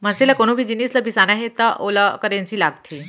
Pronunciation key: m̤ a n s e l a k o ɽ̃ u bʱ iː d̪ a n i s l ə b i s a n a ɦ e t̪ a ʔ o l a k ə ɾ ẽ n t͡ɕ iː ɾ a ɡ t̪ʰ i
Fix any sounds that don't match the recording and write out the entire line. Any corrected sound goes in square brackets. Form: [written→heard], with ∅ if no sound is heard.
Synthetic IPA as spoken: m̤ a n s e l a k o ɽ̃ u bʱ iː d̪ [a→i] n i s l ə b i s a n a ɦ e t̪ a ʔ o l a k ə ɾ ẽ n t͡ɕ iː [ɾ→l] a ɡ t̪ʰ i

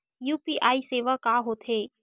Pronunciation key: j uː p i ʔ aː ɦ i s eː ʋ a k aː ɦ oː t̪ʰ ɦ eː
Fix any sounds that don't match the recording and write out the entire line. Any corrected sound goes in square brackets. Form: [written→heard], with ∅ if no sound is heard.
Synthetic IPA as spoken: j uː p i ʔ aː [ɦ→∅] i s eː ʋ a k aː ɦ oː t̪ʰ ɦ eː

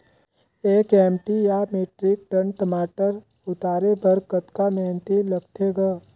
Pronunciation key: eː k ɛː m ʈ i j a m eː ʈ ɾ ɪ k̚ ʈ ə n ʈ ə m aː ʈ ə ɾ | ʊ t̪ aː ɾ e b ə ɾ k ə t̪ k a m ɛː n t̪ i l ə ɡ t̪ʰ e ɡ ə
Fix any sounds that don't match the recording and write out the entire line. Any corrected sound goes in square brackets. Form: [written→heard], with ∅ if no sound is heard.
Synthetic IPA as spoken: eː k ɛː m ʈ i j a m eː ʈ ɾ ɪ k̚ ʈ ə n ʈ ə m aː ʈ ə ɾ | ʊ t̪ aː ɾ e b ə ɾ k ə t̪ k a m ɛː n t̪ i l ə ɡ t̪ʰ e ɡ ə

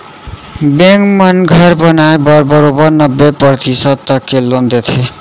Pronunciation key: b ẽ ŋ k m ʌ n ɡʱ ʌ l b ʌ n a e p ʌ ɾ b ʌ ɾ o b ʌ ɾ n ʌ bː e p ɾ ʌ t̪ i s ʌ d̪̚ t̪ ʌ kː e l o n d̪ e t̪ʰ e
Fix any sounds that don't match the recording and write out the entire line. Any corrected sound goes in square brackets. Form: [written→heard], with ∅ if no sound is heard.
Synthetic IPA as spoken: b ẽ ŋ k m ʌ n ɡʱ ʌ [l→ɾ] b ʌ n a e [p→b] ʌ ɾ b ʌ ɾ o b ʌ ɾ n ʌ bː e p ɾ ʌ t̪ i s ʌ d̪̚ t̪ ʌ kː e l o n d̪ e t̪ʰ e

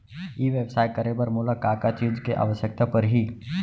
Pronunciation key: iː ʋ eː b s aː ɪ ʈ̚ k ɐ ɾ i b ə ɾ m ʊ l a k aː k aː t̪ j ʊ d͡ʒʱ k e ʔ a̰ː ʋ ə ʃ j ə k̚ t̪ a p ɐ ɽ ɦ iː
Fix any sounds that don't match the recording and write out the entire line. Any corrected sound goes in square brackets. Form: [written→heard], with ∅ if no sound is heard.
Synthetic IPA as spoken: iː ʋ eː b s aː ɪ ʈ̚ k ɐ ɾ [i→e] b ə ɾ m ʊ l a k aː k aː t̪ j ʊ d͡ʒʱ k e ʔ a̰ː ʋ ə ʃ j ə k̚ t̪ a p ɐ [ɽ→ɾ] ɦ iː

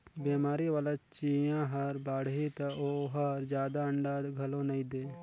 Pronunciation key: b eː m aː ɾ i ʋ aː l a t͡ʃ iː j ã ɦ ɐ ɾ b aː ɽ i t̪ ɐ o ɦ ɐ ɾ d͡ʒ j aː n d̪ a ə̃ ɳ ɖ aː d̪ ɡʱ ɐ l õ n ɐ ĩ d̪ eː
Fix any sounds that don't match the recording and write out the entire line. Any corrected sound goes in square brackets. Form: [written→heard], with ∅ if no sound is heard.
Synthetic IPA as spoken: b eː m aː ɾ i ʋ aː l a t͡ʃ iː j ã ɦ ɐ ɾ b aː ɽ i t̪ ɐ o ɦ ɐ ɾ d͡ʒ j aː [n→∅] d̪ a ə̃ ɳ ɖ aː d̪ ɡʱ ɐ l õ n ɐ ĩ d̪ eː

